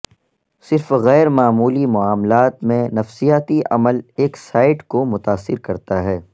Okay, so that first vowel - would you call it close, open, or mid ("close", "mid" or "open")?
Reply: close